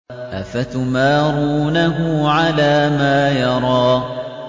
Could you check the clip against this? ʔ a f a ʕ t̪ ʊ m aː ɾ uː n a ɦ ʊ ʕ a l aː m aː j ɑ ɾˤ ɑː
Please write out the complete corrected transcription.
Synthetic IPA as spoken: ʔ a f a t̪ ʊ m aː ɾ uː n a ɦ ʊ ʕ a l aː m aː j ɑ ɾˤ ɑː